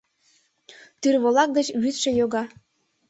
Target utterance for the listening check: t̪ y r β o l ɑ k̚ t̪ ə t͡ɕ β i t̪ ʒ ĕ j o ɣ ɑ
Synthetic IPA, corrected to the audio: t̪ y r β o l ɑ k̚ d̪ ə t͡ɕ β y t̪ ʃ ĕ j o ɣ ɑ